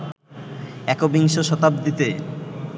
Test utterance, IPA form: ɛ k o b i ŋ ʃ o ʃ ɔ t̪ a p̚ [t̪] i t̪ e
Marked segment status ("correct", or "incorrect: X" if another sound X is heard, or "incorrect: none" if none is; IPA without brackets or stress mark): incorrect: d̪